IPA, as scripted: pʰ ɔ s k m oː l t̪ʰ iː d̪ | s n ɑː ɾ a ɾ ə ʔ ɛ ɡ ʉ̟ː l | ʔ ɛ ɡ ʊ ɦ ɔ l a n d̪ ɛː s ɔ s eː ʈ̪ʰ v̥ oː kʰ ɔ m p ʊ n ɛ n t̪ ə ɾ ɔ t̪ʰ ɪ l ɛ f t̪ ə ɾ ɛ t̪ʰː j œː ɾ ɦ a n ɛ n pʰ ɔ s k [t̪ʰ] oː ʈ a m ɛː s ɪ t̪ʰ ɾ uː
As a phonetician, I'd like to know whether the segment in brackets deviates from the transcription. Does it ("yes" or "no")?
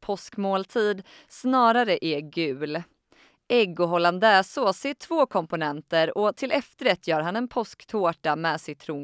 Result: no